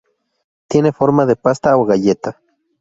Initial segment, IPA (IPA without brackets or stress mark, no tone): t̪